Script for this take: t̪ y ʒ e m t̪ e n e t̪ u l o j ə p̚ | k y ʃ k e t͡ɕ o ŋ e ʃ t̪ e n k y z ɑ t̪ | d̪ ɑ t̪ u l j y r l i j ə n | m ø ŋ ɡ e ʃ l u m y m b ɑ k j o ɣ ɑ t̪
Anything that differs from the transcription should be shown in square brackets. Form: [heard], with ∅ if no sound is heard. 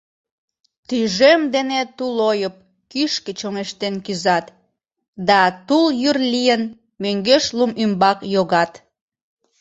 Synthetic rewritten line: t̪ y ʒ e m [d̪] e n e t̪ u l o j ə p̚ | k y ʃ k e t͡ɕ o ŋ e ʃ t̪ e n k y z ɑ t̪ | d̪ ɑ t̪ u l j y r l i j ə n | m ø ŋ ɡ e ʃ l u m y m b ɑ k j o ɣ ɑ t̪